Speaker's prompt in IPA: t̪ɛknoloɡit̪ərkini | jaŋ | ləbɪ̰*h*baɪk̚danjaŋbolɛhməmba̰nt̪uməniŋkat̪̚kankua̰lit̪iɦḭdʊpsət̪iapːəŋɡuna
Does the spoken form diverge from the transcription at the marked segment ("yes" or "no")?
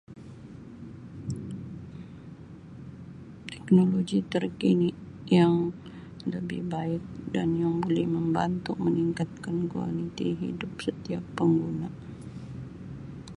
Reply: no